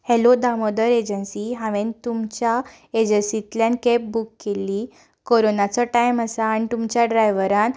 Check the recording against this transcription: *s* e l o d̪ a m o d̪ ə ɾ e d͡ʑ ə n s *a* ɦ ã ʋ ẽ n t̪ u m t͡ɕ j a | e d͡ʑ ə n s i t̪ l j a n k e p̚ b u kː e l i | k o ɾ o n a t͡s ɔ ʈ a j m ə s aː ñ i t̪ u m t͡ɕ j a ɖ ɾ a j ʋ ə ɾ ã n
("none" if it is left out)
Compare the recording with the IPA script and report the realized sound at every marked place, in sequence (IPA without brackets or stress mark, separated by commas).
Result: h, i